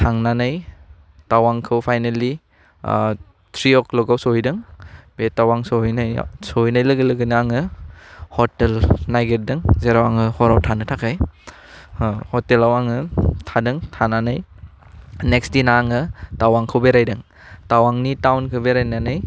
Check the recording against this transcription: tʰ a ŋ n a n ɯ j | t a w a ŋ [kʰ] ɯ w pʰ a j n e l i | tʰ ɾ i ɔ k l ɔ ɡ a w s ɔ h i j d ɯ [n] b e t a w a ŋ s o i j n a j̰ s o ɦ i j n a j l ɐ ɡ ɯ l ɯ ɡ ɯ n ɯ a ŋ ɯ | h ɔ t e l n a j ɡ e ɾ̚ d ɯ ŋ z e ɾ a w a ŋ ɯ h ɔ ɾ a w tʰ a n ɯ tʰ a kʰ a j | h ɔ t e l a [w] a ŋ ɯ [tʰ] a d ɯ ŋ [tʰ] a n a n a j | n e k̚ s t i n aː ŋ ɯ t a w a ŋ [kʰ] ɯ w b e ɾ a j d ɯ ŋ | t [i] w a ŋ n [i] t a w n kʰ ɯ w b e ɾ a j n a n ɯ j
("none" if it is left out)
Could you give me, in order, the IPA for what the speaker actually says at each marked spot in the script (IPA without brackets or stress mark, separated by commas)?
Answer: kʰ, ŋ, w, tʰ, tʰ, kʰ, a, i